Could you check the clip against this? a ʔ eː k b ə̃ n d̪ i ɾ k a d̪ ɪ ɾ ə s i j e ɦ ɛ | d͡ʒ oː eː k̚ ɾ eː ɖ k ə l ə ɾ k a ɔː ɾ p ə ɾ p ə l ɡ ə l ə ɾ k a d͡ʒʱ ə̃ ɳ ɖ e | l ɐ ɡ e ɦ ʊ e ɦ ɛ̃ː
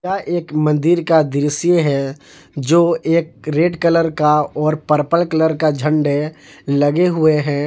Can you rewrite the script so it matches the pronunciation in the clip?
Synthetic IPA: a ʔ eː k m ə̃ n d̪ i ɾ k a d̪ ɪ ɾ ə s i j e ɦ ɛ | d͡ʒ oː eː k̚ ɾ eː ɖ k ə l ə ɾ k a ɔː ɾ p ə ɾ p ə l k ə l ə ɾ k a d͡ʒʱ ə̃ ɳ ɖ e | l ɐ ɡ e ɦ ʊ e ɦ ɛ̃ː